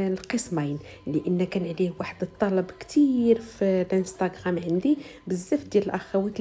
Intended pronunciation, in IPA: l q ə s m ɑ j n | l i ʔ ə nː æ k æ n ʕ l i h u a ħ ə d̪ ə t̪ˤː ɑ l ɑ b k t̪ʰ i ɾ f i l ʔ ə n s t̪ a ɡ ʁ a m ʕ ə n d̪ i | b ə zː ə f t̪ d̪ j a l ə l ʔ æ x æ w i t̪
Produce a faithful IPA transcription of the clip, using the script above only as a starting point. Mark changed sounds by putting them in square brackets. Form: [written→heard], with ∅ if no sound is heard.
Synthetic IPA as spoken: l q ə s m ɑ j n | l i ʔ ə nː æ k æ n ʕ l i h [u→w] a ħ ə d̪ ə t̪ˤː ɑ l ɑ b k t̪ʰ i ɾ f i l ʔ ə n s t̪ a ɡ ʁ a m ʕ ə n d̪ i | b ə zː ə f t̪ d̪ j [a→æ] l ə l ʔ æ x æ w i t̪